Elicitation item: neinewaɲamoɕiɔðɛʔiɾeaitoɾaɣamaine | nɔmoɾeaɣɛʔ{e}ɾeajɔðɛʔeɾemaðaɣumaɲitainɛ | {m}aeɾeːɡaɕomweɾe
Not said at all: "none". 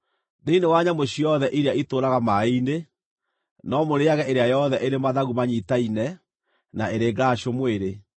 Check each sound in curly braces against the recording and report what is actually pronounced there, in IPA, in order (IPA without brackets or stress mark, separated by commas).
e, n